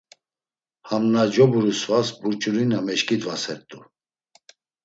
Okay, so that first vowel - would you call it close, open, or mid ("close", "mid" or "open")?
open